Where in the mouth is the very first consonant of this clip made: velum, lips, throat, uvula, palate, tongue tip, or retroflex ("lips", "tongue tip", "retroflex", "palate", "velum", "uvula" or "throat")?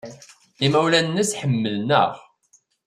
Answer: lips